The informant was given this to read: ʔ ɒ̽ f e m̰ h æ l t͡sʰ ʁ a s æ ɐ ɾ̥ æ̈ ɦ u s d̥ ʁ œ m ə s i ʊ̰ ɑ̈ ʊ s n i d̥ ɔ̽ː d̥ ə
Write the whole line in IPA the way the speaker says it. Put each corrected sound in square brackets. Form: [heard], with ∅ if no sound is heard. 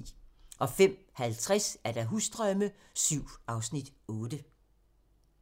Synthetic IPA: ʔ ɒ̽ f e m̰ h æ l t͡sʰ ʁ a s æ ɐ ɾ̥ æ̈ ɦ u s d̥ ʁ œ m ə s [y] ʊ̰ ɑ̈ ʊ s n i d̥ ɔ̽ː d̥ ə